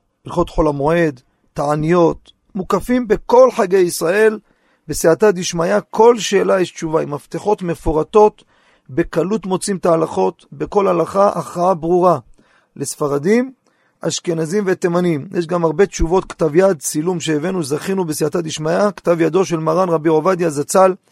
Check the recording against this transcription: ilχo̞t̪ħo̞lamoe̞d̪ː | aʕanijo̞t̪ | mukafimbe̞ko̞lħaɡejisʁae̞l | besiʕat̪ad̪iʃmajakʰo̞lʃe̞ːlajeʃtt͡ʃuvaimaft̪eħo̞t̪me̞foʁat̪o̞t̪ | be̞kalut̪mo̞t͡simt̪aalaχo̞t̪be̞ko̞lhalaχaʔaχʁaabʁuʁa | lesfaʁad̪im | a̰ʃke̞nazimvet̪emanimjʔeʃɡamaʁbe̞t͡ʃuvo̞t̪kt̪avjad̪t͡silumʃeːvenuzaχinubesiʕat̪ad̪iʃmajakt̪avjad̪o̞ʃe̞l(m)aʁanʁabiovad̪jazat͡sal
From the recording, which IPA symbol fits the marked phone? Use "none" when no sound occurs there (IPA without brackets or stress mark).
m